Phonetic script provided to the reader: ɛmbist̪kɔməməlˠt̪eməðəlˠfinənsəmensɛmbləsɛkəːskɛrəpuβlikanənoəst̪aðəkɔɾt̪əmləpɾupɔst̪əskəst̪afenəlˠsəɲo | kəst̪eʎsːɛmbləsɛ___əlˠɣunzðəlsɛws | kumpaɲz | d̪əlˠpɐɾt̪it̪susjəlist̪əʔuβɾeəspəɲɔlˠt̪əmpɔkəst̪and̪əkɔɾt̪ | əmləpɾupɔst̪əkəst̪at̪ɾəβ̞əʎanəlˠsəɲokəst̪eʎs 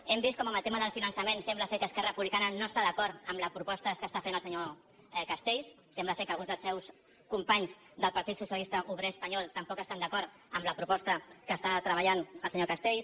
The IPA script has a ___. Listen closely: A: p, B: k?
B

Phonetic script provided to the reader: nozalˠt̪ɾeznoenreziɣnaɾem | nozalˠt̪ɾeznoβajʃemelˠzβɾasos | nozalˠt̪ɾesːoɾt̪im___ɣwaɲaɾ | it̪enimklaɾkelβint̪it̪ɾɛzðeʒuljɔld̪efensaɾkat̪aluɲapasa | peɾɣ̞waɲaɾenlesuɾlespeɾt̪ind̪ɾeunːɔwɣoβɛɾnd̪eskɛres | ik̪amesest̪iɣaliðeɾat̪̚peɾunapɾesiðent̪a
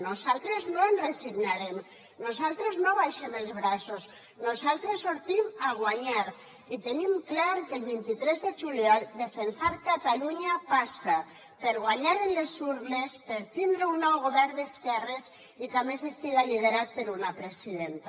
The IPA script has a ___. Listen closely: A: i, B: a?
B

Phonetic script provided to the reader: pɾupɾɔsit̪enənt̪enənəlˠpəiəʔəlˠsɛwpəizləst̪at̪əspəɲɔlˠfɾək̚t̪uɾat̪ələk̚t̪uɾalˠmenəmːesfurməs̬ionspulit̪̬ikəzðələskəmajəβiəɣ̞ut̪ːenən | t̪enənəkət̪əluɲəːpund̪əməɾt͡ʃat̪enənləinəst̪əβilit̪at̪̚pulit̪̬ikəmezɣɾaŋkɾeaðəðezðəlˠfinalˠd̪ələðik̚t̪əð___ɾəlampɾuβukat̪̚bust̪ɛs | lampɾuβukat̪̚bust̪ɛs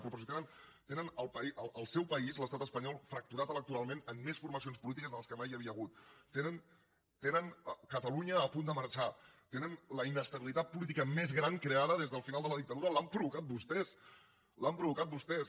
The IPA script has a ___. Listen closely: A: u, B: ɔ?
A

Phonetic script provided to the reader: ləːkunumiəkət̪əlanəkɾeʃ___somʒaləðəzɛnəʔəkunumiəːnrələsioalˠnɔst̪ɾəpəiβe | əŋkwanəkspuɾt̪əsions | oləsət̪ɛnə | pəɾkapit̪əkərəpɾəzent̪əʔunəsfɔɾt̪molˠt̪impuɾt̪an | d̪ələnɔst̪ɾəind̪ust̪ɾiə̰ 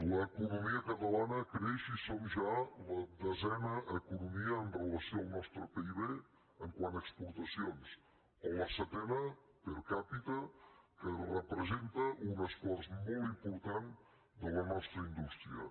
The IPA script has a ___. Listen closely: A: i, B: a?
A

